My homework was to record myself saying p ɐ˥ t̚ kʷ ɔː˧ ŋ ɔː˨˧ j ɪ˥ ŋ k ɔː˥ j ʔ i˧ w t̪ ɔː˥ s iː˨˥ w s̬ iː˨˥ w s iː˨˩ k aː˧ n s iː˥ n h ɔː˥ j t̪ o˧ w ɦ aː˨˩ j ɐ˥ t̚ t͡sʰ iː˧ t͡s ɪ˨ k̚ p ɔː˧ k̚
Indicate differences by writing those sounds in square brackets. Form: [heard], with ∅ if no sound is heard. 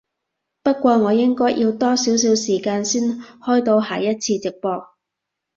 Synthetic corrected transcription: p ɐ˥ t̚ kʷ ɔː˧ ŋ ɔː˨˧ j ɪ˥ ŋ k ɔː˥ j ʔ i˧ w t̪ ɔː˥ s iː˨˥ w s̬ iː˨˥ w s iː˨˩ k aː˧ n s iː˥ n h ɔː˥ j t̪ o˧ w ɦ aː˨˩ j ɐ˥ t̚ t͡sʰ iː˧ t͡s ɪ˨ k̚ p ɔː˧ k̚